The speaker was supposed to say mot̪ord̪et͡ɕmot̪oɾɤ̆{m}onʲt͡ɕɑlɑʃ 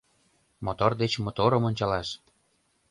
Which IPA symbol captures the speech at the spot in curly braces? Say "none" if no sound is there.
m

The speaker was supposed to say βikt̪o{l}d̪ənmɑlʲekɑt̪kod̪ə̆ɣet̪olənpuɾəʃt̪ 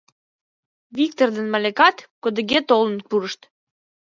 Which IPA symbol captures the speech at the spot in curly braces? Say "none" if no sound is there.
r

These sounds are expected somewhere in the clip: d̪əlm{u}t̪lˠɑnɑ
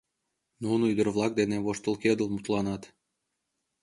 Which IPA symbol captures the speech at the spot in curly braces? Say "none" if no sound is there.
u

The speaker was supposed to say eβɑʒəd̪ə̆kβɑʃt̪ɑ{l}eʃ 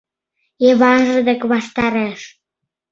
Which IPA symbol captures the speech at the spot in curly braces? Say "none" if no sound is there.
ɾ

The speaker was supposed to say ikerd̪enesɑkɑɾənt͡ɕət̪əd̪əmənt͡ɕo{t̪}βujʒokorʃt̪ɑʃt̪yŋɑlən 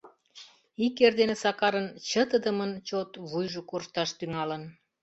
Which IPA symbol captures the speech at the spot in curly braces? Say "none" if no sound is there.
t̪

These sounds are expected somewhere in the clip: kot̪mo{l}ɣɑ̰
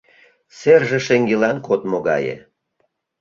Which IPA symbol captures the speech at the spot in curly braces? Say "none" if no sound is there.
none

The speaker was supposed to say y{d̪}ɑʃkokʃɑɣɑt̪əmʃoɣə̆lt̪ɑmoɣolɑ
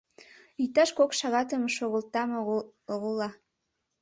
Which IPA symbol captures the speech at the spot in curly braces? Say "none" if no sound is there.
t̪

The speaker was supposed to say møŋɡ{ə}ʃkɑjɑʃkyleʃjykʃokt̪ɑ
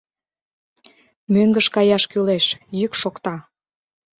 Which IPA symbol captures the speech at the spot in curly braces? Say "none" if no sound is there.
ə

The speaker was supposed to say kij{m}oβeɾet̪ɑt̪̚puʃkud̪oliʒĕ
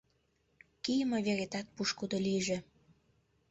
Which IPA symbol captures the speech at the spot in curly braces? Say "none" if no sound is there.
m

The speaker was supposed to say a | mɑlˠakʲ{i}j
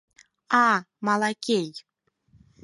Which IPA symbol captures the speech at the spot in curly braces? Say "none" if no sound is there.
e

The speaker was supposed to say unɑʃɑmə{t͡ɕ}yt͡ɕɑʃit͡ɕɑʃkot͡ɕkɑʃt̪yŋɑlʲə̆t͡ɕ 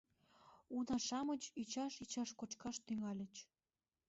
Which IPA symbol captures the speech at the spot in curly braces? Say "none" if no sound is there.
t͡ɕ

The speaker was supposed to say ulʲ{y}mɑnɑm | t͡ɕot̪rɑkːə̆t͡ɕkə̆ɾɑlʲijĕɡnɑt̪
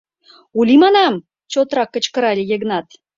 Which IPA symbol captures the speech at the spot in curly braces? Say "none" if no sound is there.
i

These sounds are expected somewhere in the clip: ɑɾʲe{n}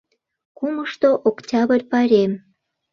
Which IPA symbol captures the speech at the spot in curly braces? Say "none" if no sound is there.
m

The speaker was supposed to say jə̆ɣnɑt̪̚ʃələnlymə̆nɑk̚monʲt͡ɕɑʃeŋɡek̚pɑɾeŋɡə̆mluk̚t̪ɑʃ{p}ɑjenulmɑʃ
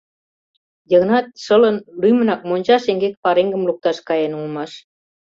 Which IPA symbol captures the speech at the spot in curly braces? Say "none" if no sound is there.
k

